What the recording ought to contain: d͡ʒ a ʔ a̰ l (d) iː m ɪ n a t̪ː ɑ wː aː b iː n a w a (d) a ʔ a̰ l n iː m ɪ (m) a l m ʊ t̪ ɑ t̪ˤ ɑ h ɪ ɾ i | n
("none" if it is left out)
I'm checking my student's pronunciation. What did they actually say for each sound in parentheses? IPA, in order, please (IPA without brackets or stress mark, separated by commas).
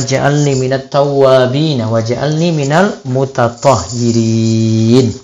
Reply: n, d͡ʒ, n